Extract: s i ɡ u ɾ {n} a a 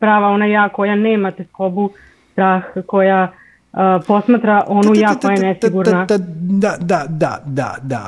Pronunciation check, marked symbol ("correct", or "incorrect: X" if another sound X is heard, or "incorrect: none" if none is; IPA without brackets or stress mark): correct